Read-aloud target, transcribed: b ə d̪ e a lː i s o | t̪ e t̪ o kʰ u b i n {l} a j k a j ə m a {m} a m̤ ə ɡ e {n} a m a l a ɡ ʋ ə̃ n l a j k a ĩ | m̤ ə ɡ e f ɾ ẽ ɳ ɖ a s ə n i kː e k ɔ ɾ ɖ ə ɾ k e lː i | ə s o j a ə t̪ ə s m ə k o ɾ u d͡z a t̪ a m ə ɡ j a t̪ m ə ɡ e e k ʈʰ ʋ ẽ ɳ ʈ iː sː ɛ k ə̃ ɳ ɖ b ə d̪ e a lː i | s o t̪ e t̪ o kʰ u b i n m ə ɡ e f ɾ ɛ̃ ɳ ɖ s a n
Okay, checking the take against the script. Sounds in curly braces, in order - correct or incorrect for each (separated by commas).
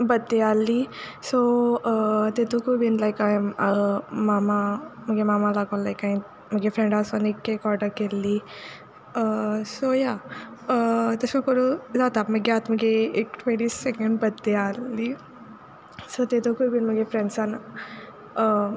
correct, correct, incorrect